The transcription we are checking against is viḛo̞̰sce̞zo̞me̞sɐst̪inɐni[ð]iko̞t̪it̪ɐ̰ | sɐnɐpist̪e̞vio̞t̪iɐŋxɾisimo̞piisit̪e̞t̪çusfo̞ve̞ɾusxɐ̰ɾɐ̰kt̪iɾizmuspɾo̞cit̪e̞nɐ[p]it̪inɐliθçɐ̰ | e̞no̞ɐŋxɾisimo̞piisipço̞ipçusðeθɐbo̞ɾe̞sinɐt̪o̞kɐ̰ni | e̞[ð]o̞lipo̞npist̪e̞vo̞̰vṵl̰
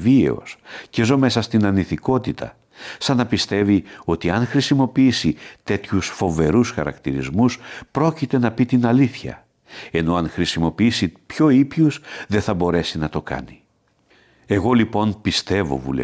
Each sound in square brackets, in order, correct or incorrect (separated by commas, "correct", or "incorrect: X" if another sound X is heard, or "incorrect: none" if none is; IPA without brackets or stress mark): incorrect: θ, correct, incorrect: ɣ